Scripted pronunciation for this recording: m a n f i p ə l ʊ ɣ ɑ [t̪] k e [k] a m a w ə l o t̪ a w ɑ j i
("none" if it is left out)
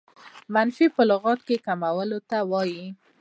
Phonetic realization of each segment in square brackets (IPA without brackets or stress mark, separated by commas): t̪, k